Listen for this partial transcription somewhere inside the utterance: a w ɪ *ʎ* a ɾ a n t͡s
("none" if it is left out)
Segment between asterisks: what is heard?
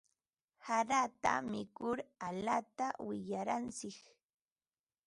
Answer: ʎ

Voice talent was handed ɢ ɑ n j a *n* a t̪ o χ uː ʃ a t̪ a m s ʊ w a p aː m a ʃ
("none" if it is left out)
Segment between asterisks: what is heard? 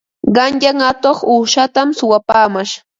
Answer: ŋ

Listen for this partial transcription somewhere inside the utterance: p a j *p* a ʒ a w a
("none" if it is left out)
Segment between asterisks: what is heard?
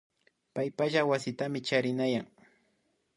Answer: p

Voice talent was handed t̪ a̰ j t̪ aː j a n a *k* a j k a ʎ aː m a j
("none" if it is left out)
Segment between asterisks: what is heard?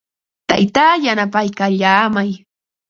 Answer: p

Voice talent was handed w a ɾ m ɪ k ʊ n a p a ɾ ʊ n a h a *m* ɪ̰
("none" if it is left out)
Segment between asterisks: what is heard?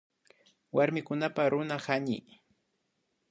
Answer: ɲ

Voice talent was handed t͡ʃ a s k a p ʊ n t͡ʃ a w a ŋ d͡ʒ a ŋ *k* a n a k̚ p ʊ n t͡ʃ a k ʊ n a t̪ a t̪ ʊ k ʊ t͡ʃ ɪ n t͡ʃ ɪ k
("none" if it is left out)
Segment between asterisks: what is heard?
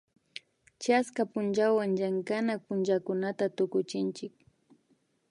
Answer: k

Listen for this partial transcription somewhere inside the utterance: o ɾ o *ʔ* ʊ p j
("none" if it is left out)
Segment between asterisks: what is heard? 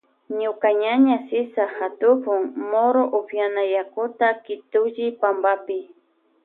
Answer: ʔ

